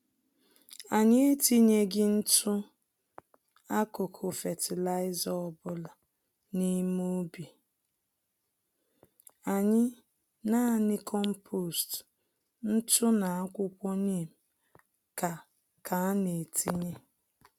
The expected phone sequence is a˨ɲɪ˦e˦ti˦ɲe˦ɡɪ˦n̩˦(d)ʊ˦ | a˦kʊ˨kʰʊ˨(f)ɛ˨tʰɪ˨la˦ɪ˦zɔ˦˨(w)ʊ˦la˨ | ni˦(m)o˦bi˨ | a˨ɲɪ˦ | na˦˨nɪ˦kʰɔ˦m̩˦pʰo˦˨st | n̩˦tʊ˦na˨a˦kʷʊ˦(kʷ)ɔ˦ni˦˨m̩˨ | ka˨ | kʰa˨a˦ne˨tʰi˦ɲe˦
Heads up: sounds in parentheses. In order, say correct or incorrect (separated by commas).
incorrect, correct, incorrect, correct, correct